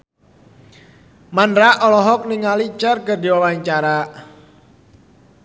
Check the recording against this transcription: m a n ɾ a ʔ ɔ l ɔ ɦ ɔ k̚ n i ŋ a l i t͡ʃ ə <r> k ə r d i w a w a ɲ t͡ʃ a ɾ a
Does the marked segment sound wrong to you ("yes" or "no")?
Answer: no